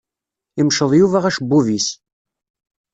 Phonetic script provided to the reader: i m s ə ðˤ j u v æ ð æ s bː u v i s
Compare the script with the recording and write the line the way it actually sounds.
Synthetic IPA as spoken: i m ʃ ə ðˤ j u v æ ʁ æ ʃ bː u v i s